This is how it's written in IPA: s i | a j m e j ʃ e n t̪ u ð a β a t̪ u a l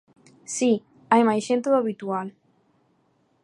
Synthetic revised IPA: s i | a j m a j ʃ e n t̪ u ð a β i t̪ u a l